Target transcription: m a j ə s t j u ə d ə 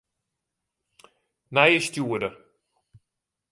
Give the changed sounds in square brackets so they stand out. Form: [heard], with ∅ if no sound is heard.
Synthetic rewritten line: [n] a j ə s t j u ə d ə